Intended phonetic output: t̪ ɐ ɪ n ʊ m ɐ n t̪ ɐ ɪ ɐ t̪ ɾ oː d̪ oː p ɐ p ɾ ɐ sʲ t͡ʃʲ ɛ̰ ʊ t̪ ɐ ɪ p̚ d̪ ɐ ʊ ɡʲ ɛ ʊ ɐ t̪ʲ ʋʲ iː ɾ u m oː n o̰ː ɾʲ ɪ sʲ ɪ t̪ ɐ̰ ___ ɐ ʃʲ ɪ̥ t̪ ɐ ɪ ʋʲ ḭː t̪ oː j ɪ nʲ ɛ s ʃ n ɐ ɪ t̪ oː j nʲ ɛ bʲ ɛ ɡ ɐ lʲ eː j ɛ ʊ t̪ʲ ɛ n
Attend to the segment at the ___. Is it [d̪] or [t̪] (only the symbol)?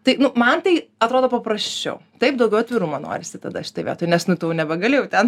d̪